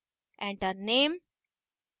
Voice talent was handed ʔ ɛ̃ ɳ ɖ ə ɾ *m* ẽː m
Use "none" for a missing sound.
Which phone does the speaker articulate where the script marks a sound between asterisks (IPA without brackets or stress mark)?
n